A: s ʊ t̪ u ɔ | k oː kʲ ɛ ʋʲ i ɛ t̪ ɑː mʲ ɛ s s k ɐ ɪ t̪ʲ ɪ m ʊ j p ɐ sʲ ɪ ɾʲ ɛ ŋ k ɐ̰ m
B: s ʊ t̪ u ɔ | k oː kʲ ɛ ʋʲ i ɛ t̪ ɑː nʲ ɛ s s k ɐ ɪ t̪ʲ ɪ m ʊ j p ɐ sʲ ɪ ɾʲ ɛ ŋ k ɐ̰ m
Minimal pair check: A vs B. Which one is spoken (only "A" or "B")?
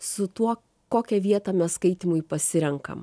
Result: A